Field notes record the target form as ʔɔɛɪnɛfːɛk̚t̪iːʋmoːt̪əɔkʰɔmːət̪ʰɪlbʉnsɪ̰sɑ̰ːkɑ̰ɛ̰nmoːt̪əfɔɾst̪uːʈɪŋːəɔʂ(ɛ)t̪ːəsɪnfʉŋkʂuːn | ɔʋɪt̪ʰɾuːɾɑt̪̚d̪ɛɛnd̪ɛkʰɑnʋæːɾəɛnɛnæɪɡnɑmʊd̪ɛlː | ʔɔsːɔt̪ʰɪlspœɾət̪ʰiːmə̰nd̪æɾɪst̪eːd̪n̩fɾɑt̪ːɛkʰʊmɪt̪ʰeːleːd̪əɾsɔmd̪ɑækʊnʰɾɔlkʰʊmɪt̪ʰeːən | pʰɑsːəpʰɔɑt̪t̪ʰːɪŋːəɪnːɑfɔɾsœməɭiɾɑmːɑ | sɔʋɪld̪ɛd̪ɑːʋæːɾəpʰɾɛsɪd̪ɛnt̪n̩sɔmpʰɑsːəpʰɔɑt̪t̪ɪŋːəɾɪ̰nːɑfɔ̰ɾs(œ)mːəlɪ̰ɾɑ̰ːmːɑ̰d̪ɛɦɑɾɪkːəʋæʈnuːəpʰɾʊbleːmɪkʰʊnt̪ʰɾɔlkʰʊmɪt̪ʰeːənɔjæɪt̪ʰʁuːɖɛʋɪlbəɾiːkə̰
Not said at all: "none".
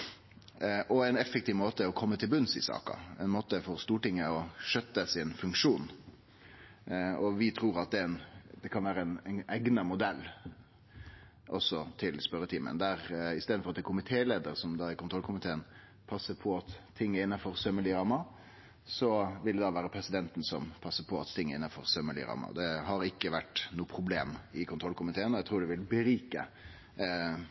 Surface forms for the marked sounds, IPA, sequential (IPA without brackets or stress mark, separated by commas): œ, œ